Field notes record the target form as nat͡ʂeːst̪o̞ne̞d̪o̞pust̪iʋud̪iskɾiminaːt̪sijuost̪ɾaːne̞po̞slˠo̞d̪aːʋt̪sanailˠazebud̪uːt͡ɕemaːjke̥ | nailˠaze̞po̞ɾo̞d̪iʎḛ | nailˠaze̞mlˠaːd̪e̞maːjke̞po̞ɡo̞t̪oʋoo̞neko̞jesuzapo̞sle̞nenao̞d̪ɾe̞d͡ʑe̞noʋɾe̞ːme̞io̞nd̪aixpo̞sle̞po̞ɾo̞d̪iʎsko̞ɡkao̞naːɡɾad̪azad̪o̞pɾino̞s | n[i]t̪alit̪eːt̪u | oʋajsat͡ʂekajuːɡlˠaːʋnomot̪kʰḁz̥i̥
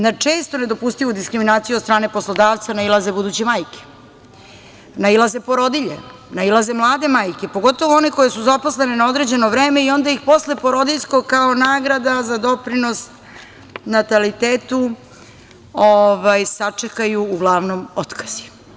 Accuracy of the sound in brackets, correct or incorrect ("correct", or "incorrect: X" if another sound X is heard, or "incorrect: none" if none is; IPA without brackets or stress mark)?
incorrect: a